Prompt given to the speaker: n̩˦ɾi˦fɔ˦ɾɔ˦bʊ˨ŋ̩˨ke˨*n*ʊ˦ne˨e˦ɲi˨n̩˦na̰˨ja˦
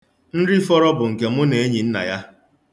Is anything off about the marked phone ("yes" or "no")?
yes